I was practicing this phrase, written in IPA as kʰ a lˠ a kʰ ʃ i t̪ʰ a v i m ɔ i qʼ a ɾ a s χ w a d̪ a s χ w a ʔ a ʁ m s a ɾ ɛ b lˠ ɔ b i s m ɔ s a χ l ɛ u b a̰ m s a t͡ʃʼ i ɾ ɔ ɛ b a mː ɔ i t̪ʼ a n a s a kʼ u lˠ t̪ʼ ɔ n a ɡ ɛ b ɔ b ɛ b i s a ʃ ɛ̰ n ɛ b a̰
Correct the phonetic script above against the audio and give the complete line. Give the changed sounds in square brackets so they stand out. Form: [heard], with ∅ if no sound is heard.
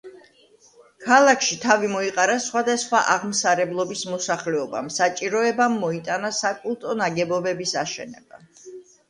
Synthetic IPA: kʰ a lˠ a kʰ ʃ i t̪ʰ a v i m ɔ i qʼ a ɾ a s χ w a d̪ a s χ w a ʔ a ʁ m s a ɾ ɛ b lˠ ɔ b i s m ɔ s a χ l ɛ [ɔ] b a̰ m s a t͡ʃʼ i ɾ ɔ ɛ b a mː ɔ i t̪ʼ a n a s a kʼ u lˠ t̪ʼ ɔ n a ɡ ɛ b ɔ b ɛ b i s a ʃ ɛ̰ n ɛ b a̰